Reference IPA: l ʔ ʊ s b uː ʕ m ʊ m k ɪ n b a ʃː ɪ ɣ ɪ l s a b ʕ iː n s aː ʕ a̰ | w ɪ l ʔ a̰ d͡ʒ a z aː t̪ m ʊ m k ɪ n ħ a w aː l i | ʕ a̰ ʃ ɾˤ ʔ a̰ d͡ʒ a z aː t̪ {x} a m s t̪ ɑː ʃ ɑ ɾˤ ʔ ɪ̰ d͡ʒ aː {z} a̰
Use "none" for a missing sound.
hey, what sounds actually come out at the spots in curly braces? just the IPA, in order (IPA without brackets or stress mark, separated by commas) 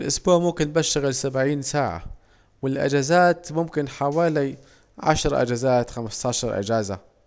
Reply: x, z